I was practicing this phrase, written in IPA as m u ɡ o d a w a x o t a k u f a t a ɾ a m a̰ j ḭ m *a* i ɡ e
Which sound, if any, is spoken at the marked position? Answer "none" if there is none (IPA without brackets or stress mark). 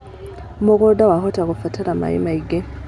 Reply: a